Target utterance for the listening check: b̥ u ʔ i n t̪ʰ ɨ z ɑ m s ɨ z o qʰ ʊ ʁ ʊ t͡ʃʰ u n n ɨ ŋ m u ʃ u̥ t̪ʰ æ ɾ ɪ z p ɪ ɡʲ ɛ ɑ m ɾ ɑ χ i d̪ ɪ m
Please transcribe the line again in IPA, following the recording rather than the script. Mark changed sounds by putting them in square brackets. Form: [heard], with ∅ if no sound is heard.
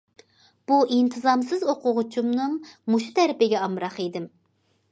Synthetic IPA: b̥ u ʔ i n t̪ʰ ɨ z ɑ m s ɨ z o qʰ ʊ ʁ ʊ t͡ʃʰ u [m] n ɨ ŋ m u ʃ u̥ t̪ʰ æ ɾ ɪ [∅] p ɪ ɡʲ ɛ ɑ m ɾ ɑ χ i d̪ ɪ m